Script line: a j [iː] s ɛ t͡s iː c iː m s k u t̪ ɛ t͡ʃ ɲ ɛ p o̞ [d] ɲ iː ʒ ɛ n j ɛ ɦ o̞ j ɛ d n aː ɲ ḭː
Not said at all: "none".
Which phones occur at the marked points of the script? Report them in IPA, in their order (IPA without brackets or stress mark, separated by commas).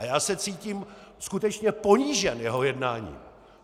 aː, none